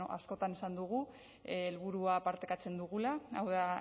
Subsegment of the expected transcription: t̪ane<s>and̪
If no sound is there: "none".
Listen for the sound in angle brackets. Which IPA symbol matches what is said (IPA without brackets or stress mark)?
s